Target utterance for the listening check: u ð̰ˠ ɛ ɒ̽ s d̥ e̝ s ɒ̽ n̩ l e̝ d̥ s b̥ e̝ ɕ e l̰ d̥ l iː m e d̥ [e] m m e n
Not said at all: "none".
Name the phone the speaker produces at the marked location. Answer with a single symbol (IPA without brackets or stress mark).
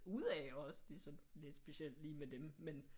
e